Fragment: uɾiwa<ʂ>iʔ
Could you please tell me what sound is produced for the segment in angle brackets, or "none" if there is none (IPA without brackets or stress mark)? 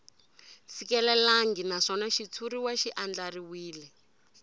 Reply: ʃ